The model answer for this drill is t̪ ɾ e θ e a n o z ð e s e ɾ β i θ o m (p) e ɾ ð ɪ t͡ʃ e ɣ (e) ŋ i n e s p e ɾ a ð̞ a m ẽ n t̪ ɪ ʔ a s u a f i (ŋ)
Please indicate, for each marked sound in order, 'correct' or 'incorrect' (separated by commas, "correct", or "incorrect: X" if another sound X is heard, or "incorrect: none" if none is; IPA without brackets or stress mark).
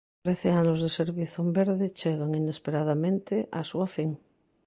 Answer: incorrect: b, incorrect: a, correct